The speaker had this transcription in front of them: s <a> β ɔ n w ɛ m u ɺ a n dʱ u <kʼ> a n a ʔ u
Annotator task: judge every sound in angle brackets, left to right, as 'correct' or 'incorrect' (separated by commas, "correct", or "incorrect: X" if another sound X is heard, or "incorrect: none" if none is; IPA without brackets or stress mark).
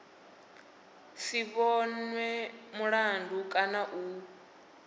incorrect: i, correct